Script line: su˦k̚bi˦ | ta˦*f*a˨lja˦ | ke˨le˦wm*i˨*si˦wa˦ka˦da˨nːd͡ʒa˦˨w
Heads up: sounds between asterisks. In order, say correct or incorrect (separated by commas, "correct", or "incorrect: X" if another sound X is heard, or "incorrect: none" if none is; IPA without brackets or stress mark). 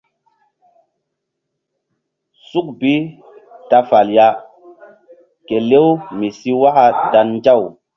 correct, correct